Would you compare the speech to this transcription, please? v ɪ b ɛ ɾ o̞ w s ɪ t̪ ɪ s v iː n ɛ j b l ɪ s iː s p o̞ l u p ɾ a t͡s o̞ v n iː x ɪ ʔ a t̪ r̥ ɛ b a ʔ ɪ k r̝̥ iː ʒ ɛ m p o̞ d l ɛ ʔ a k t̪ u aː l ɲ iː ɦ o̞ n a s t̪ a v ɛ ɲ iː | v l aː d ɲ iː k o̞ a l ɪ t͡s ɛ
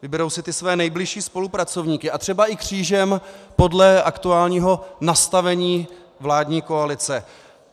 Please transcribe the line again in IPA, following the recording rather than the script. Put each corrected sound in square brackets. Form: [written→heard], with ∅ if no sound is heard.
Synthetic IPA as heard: v ɪ b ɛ ɾ o̞ w s ɪ t̪ ɪ s v [iː→ɛː] n ɛ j b l ɪ [s→ʃ] iː s p o̞ l u p ɾ a t͡s o̞ v [n→ɲ] iː [x→k] ɪ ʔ a t̪ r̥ ɛ b a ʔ ɪ k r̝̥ iː ʒ ɛ m p o̞ d l ɛ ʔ a k t̪ u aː l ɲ iː ɦ o̞ n a s t̪ a v ɛ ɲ iː | v l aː d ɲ iː k o̞ a l ɪ t͡s ɛ